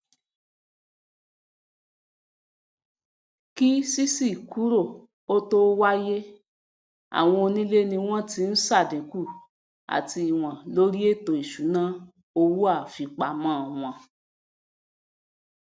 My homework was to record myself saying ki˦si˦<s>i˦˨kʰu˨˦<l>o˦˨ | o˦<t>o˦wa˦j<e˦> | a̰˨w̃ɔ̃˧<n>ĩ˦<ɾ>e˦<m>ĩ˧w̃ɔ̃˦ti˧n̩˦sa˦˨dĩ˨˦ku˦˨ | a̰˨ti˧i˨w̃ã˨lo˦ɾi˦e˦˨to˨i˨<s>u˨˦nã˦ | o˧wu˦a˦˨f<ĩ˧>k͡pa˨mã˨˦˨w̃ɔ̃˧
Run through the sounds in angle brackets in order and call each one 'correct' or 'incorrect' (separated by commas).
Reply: correct, incorrect, correct, correct, correct, incorrect, incorrect, incorrect, incorrect